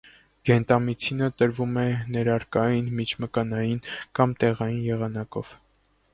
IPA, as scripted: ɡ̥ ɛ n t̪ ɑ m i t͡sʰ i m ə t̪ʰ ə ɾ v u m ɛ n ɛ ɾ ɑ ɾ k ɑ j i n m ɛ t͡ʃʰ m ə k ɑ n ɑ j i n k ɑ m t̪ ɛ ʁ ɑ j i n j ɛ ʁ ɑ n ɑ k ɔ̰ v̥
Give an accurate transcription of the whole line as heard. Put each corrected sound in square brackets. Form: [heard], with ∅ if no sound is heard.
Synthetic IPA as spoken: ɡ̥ ɛ n t̪ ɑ m i t͡sʰ i [n] ə [t̪] ə ɾ v u m ɛ n ɛ ɾ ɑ ɾ k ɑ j i n m [i] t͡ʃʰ m ə k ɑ n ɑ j i n k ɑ m t̪ ɛ ʁ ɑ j i n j ɛ ʁ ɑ n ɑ k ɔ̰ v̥